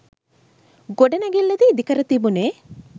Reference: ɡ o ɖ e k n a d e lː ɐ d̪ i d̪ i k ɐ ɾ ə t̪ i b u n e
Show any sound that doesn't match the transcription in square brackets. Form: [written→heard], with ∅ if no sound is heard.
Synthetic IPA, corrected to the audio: ɡ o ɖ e [k→∅] n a [d→ɡ] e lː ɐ d̪ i d̪ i k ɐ ɾ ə t̪ i b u n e